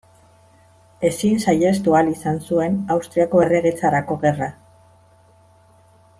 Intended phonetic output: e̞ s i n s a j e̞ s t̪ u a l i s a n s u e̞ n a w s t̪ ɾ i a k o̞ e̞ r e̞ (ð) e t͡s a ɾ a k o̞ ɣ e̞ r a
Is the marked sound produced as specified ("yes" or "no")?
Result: no